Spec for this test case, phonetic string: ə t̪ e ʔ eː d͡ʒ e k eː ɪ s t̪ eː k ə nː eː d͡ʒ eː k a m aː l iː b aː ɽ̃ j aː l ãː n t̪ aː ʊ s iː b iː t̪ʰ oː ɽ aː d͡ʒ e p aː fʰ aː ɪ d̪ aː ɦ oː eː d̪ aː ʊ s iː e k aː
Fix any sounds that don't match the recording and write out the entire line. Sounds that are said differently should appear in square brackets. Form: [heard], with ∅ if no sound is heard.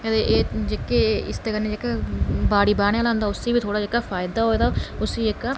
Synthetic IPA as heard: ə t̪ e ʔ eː d͡ʒ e k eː ɪ s t̪ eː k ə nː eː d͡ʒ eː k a [b] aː [ɽ] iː b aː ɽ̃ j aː l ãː n [d̪] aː ʊ s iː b iː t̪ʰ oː ɽ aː d͡ʒ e [k] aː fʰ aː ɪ d̪ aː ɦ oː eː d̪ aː ʊ s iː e k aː